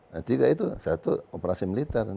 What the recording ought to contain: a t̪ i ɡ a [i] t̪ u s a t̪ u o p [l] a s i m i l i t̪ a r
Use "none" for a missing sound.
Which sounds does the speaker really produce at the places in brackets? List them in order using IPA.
i, ɾ

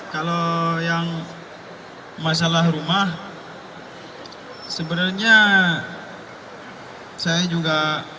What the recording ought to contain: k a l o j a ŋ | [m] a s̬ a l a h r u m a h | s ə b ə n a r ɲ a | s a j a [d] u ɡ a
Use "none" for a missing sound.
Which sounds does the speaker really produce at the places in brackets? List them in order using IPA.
m, d͡ʒ

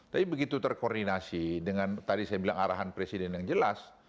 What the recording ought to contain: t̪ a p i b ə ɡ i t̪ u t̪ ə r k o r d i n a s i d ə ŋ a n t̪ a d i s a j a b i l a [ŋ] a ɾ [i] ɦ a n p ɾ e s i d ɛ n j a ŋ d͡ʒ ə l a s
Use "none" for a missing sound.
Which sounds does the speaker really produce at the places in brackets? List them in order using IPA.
ŋ, a

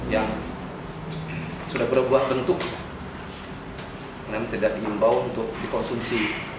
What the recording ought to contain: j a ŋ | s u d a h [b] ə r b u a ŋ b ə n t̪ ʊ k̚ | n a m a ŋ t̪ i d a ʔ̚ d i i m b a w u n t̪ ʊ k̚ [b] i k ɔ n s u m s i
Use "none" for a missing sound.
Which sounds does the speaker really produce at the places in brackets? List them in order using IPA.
b, d

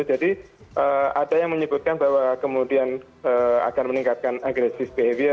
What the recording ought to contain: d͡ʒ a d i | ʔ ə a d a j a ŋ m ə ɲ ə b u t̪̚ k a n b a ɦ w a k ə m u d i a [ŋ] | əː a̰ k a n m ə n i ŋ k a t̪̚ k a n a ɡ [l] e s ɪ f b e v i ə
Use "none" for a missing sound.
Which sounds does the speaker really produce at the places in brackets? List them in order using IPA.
n, ɾ

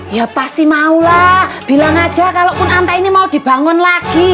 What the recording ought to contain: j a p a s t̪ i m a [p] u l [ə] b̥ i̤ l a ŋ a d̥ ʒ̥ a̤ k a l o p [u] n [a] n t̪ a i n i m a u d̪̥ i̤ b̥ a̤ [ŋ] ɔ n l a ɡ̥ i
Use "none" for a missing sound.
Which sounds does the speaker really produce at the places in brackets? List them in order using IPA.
none, a, ʊ, a, ŋ

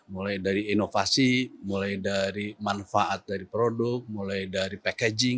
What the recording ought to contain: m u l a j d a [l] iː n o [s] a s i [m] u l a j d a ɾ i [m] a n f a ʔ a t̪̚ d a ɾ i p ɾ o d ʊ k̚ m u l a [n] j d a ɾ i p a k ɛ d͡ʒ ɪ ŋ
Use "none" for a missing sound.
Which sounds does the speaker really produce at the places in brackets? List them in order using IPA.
ɾ, f, m, m, none

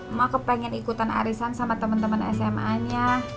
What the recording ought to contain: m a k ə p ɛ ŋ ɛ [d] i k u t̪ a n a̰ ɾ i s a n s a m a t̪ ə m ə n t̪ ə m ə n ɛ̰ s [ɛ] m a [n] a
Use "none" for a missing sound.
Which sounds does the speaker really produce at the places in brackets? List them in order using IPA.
n, ɛ, ɲ

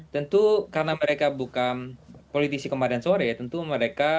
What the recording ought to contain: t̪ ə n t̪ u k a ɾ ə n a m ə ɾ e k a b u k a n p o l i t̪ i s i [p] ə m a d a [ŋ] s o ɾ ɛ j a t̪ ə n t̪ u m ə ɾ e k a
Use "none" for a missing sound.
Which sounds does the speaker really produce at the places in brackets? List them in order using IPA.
k, n

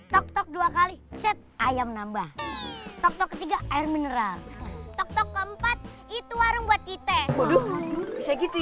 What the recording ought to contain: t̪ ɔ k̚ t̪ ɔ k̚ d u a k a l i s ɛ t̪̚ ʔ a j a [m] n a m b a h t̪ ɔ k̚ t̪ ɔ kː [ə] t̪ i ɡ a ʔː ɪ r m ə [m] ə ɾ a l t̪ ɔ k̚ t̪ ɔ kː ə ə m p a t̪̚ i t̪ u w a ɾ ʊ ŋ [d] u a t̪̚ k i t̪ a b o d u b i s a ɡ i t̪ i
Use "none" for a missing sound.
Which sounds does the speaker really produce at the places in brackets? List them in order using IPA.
m, ə, n, b

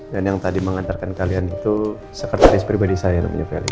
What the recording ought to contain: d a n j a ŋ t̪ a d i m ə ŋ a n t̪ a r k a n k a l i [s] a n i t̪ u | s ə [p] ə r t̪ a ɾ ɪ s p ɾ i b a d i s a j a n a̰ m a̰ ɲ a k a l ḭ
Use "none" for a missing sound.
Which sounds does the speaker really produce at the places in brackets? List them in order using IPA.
none, k

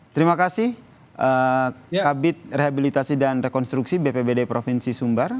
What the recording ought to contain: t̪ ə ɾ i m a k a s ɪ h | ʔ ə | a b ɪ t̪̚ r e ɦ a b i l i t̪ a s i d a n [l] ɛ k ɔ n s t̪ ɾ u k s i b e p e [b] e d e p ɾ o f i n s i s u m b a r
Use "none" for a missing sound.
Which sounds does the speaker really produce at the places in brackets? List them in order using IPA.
r, b

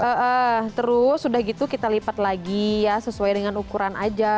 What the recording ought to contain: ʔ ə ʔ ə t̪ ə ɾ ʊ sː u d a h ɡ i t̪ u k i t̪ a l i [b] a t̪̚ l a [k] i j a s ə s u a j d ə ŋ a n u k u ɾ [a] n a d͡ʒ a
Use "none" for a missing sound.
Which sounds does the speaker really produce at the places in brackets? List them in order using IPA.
p, ɡ, a

